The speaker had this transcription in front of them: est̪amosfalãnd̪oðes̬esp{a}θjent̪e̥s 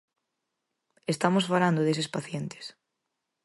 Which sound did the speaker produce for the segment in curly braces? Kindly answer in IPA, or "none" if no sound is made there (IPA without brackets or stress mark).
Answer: a